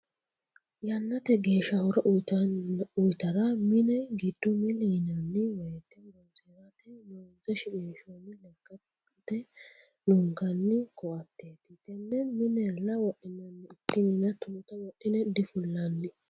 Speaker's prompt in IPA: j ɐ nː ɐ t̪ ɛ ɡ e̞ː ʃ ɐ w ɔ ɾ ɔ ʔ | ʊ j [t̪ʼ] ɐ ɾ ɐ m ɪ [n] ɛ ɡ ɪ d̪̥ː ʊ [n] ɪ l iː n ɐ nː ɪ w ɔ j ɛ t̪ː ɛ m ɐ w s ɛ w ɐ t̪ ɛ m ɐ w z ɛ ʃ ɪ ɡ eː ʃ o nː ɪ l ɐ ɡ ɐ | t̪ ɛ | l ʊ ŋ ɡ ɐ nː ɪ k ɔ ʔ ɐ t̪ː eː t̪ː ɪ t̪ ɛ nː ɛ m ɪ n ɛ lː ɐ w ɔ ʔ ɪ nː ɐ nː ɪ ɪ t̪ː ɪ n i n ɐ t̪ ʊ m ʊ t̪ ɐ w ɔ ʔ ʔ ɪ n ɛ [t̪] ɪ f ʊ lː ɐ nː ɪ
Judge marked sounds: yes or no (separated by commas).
no, yes, no, no